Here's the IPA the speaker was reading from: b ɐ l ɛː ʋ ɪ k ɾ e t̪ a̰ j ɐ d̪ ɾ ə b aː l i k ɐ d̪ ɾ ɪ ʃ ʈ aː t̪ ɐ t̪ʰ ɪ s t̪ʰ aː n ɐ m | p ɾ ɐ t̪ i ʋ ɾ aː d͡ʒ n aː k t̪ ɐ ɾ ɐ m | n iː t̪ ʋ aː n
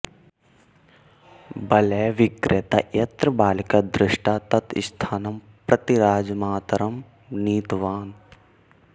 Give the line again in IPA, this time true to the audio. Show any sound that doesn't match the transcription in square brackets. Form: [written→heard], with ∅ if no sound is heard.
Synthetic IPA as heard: b ɐ l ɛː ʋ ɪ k ɾ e t̪ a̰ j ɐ [d̪→t̪] ɾ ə b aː l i k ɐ d̪ ɾ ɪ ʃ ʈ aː t̪ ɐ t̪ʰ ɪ s t̪ʰ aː n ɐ m | p ɾ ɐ t̪ i [ʋ→∅] ɾ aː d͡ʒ [n→m] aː [k→∅] t̪ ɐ ɾ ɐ m | n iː t̪ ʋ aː n